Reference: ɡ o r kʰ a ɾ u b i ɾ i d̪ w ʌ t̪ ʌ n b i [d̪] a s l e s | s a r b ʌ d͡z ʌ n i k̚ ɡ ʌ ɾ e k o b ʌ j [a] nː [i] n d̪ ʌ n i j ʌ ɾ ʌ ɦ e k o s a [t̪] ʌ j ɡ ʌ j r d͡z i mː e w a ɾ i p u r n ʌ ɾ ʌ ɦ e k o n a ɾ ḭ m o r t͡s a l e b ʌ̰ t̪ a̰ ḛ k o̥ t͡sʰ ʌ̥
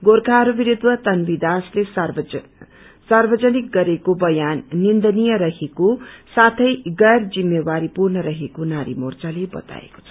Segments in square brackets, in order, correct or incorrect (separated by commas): correct, correct, correct, incorrect